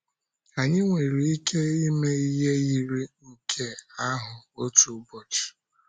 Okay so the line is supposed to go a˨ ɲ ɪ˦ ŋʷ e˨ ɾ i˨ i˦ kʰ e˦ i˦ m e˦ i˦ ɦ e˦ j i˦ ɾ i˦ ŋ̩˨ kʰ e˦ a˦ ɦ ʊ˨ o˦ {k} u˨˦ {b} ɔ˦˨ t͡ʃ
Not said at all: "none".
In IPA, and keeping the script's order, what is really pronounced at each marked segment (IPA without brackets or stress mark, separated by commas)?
t, b